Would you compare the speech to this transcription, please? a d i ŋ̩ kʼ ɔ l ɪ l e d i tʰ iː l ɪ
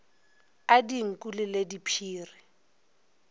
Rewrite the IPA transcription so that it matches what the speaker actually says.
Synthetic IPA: a d i ŋ̩ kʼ u l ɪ l e d i pʰ iː r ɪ